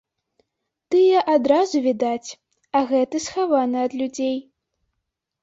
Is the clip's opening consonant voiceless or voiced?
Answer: voiceless